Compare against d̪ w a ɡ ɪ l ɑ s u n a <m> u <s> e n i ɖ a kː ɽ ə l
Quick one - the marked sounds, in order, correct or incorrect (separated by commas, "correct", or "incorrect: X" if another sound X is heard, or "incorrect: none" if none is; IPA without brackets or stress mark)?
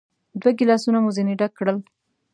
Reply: correct, incorrect: z